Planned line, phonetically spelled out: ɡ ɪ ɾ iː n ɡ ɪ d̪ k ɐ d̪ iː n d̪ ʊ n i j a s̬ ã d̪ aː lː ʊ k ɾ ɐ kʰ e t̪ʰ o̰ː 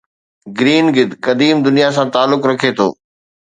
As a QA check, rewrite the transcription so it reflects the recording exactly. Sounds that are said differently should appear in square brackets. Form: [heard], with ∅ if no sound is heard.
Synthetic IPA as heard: ɡ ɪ ɾ iː n ɡ ɪ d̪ k ɐ d̪ iː [m] d̪ ʊ n i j a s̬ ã [t̪] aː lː ʊ k ɾ ɐ kʰ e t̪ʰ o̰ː